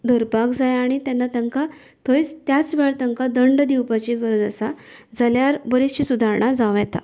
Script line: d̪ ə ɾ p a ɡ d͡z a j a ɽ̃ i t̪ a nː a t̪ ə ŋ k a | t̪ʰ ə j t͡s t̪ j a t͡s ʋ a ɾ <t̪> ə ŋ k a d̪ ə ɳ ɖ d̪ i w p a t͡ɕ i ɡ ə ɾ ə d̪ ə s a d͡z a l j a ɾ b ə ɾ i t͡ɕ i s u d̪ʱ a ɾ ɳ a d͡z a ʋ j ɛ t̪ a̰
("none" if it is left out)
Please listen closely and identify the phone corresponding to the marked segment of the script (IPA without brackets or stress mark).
t̪